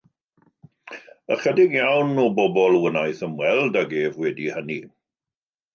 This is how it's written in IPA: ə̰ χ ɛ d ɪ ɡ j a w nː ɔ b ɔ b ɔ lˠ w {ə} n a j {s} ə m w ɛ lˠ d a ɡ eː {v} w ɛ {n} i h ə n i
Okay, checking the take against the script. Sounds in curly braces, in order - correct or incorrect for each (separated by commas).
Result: correct, incorrect, correct, incorrect